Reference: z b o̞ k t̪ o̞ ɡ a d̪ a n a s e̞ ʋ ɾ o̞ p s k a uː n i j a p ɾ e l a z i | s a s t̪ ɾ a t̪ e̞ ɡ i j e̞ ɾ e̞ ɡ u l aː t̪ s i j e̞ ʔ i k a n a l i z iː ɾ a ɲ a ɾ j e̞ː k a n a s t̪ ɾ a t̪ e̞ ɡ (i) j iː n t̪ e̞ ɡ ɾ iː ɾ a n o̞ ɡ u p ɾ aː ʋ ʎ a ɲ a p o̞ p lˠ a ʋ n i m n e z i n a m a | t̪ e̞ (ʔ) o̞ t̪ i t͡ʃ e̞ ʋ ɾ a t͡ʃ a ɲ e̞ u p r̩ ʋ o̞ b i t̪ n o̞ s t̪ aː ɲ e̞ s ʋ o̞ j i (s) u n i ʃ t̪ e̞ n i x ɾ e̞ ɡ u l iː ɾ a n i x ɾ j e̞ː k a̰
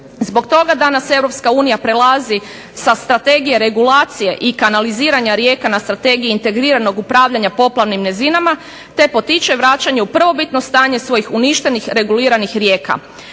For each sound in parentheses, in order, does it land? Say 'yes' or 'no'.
yes, no, no

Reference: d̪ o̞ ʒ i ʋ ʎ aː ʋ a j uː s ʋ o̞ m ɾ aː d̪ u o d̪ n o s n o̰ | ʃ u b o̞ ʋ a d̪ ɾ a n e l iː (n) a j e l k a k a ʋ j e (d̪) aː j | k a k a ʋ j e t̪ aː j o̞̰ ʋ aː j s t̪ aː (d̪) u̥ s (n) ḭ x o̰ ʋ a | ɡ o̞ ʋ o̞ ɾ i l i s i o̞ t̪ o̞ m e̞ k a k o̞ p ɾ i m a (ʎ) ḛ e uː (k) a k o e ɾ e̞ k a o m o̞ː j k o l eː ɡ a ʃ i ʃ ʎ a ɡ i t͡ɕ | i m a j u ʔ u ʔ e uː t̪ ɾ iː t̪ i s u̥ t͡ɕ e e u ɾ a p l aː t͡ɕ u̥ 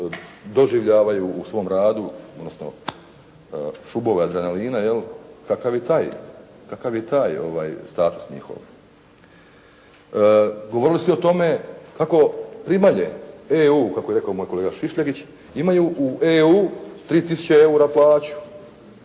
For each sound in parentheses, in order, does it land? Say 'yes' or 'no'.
yes, no, no, no, yes, yes

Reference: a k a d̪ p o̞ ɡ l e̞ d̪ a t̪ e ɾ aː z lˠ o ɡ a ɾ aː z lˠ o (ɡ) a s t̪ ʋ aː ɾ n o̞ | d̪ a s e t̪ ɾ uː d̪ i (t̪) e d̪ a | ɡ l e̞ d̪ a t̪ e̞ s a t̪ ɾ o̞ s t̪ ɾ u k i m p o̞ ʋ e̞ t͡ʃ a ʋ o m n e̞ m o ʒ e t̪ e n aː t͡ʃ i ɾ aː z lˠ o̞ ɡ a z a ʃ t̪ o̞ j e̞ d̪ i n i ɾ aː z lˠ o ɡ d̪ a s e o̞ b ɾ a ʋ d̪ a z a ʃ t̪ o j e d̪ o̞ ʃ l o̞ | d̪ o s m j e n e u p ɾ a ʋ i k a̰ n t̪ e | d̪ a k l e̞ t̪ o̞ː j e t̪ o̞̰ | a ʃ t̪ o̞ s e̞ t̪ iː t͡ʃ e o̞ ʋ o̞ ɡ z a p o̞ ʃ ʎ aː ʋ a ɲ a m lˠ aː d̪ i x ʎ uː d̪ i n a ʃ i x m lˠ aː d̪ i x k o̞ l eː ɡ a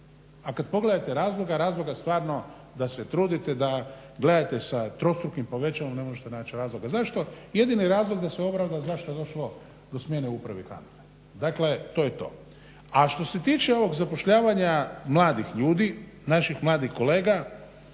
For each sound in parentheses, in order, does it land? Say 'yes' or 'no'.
yes, yes

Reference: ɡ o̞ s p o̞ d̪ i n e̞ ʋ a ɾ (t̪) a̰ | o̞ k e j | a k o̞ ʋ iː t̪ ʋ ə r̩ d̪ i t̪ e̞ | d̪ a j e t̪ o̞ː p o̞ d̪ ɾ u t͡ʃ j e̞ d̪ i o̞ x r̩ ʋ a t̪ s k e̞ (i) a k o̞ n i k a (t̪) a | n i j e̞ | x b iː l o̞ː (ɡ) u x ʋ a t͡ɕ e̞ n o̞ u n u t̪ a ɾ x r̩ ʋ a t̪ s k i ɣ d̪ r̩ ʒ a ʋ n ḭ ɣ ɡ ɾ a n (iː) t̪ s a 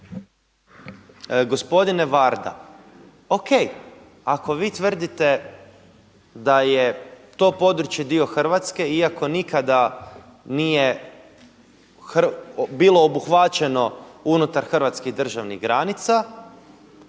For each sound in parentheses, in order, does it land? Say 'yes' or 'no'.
no, yes, no, no, no

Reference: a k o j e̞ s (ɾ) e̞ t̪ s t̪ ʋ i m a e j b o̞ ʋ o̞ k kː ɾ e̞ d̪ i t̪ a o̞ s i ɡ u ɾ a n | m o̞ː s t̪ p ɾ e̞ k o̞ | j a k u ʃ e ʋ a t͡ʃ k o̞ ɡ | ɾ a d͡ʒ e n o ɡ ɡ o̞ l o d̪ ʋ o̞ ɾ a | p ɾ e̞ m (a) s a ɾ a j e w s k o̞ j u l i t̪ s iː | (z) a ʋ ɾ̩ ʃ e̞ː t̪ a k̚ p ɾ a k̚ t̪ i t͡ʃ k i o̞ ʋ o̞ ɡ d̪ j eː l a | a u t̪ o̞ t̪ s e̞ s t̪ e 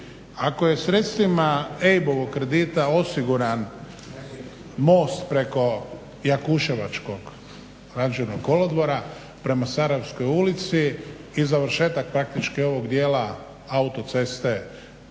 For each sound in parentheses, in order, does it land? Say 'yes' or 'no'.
yes, yes, yes

